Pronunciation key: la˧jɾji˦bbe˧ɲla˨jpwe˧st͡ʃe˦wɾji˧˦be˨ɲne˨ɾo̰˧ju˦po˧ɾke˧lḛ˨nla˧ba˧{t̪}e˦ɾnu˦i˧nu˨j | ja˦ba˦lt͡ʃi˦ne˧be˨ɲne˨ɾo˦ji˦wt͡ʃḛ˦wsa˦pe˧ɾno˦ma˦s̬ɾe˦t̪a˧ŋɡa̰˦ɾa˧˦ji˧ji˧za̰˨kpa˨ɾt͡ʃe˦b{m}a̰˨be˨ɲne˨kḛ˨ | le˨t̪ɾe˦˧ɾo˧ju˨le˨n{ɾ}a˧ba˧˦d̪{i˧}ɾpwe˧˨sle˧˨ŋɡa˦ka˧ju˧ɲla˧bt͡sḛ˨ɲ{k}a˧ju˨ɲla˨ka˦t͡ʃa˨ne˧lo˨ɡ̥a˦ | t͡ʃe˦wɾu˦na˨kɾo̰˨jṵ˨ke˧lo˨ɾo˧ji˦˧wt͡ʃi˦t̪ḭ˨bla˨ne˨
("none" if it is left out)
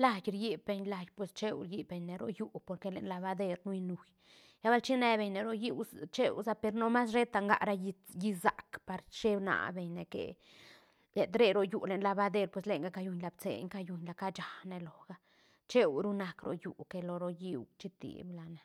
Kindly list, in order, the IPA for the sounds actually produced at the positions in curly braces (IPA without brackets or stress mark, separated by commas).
d̪, n, l, e˧, k